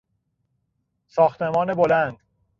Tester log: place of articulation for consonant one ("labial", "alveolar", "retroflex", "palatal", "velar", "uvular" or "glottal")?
alveolar